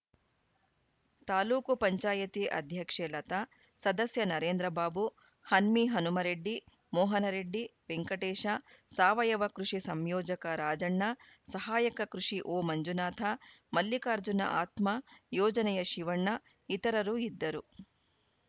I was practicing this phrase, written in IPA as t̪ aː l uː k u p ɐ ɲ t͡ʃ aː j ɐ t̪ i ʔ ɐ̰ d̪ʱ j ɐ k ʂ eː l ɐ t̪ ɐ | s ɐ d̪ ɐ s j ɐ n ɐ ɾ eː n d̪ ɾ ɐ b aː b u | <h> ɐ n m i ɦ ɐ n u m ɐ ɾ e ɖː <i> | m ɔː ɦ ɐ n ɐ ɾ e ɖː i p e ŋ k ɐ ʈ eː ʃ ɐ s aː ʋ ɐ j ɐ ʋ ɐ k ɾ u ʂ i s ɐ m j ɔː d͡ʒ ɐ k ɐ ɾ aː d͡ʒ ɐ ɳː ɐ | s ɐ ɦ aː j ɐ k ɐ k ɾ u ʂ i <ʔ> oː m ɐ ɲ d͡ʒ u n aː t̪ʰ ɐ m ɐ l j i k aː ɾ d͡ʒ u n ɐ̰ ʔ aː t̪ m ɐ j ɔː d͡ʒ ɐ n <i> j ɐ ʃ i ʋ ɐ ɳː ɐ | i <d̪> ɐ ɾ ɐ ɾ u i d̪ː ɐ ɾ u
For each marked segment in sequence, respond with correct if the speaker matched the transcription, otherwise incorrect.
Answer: correct, correct, correct, incorrect: ɛ, incorrect: t̪

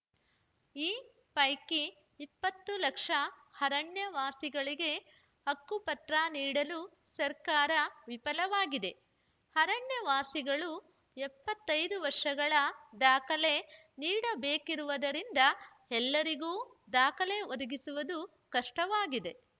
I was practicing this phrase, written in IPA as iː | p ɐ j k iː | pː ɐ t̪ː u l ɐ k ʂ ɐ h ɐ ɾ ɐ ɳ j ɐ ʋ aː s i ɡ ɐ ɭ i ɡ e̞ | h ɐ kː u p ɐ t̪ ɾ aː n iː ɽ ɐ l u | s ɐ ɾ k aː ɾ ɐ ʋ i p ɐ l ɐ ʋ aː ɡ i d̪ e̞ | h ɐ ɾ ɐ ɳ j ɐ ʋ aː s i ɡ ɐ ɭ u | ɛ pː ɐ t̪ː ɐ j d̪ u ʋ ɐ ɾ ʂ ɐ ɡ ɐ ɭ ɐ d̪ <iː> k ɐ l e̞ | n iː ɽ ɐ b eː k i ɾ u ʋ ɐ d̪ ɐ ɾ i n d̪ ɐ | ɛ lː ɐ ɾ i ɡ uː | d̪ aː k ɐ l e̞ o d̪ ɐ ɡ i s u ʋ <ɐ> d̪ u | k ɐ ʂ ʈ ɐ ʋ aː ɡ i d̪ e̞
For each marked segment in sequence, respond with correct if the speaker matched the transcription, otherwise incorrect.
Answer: incorrect: aː, correct

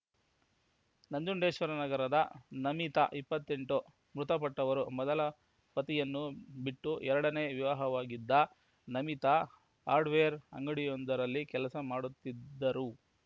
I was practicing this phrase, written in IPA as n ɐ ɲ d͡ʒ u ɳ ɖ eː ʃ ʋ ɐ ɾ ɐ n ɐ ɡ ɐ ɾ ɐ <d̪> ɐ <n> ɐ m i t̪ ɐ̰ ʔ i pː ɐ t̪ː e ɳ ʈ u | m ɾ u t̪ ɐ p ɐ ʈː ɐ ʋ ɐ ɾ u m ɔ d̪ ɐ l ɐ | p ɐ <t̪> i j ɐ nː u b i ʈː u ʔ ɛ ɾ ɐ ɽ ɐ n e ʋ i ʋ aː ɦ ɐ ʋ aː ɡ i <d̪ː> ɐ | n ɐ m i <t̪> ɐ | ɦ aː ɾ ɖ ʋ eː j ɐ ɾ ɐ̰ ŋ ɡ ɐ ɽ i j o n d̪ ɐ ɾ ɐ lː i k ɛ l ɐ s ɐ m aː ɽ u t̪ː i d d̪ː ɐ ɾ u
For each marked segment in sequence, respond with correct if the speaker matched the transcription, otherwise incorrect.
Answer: correct, correct, correct, correct, correct

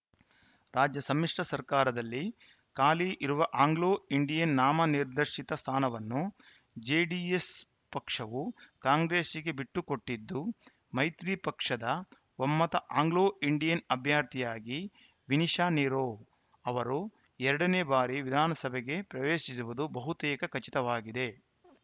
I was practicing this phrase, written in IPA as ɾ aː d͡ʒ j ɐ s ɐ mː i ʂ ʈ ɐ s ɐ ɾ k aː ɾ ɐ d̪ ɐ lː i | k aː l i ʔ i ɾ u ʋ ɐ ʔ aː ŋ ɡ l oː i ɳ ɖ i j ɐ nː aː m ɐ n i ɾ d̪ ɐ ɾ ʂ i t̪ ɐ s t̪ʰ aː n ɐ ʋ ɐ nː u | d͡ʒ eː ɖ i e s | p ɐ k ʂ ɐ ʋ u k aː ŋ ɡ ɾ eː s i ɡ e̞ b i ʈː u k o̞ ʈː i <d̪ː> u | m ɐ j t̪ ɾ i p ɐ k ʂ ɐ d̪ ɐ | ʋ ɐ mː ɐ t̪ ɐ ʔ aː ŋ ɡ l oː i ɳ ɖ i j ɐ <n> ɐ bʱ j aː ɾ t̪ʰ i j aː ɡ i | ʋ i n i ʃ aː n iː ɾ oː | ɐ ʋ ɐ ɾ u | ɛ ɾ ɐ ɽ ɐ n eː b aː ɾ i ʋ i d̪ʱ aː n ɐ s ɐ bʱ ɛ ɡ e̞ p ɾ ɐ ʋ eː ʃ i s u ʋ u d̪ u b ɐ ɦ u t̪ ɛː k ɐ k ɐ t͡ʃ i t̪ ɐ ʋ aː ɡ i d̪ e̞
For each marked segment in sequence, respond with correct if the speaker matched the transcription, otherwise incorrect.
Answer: correct, correct

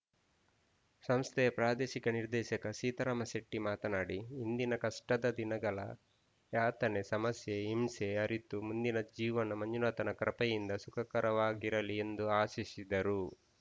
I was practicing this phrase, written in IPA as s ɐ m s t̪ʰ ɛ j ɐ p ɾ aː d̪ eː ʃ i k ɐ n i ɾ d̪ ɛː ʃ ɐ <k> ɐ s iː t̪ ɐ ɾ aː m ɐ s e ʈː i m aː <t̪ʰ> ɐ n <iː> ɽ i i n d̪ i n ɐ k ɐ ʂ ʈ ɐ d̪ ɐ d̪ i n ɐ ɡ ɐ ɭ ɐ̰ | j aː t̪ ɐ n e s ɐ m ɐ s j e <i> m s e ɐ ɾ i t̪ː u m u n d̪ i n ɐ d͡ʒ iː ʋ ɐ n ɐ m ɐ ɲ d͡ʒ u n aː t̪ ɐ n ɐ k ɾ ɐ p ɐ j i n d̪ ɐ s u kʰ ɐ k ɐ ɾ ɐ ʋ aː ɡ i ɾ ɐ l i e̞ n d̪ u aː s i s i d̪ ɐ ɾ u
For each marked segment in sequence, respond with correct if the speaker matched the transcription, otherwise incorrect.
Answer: correct, incorrect: t̪, incorrect: aː, correct

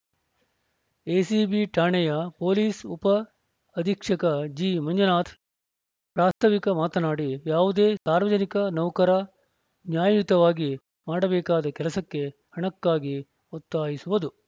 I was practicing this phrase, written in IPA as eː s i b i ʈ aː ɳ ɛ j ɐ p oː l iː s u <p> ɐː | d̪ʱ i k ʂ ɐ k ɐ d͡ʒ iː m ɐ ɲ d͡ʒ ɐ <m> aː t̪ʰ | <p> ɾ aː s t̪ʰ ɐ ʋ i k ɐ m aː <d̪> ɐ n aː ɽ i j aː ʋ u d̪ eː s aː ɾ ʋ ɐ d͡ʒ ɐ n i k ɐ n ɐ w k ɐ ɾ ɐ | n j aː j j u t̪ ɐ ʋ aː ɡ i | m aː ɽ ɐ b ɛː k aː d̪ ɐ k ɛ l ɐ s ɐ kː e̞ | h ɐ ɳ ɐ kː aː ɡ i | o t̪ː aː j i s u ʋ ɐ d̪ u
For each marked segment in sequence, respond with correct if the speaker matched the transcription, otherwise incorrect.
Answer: correct, incorrect: n, correct, incorrect: t̪

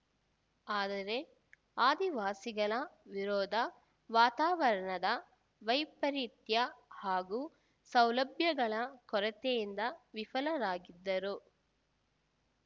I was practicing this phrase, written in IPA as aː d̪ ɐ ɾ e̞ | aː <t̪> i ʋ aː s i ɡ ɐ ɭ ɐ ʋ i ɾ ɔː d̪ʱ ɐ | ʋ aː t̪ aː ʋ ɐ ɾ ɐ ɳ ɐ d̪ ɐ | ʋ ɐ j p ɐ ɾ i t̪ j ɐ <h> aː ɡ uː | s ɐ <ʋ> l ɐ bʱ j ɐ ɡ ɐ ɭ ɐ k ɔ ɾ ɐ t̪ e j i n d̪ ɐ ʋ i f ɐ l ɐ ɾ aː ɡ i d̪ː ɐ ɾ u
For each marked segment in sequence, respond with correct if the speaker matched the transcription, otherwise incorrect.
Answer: incorrect: d̪, correct, incorrect: w

